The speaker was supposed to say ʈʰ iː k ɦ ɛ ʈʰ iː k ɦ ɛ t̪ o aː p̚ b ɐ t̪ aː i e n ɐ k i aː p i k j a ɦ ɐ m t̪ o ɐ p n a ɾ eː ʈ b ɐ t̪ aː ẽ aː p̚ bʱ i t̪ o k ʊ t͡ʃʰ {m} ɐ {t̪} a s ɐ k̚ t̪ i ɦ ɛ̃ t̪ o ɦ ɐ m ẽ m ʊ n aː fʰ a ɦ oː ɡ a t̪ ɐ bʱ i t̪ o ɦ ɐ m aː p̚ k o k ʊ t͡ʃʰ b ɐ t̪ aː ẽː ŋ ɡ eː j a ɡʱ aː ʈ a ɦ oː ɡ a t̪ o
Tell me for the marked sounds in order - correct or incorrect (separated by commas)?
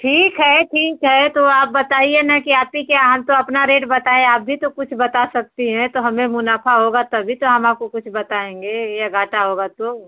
incorrect, correct